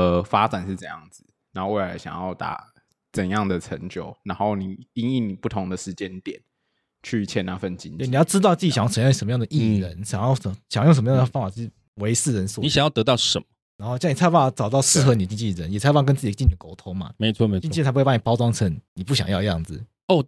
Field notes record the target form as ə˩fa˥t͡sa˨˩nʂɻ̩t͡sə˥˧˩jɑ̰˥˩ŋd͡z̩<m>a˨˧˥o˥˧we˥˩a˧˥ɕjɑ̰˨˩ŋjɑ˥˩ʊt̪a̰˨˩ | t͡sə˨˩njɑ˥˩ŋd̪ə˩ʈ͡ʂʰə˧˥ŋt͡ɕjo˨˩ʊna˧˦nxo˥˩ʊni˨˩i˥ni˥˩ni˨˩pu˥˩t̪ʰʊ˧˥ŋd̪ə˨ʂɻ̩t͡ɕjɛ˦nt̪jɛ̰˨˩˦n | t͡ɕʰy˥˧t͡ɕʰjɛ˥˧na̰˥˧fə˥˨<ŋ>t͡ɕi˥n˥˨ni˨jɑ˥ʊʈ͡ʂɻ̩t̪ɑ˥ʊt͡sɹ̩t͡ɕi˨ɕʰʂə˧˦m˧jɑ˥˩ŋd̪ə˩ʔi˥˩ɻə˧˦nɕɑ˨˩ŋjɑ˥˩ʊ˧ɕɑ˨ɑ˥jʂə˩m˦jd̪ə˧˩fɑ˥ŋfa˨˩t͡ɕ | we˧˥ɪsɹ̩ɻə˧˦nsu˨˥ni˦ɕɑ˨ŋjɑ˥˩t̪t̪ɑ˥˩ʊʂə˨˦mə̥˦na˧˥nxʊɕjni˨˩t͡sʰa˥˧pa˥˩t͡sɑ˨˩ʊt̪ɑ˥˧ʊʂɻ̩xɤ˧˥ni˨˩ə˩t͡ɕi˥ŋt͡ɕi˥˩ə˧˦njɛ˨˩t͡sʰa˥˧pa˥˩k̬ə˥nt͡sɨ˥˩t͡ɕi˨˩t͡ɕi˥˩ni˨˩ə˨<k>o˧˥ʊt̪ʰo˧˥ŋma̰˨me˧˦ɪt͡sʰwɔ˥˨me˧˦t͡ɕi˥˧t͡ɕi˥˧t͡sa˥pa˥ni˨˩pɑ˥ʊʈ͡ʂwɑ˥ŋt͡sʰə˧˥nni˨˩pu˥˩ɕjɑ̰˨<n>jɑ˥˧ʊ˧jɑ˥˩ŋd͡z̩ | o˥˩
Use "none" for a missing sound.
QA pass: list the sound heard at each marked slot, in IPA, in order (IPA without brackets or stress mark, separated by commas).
n, n, k, ŋ